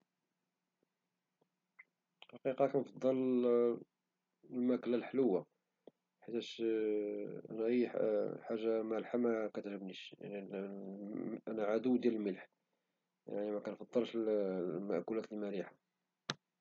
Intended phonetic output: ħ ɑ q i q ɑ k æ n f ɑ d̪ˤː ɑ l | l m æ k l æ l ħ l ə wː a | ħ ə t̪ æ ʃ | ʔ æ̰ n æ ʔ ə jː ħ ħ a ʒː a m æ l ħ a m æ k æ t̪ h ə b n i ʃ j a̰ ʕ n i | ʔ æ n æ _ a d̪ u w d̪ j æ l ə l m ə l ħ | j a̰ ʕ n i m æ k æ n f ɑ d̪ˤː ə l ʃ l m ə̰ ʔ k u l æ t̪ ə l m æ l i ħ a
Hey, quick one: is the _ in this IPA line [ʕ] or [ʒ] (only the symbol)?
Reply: ʕ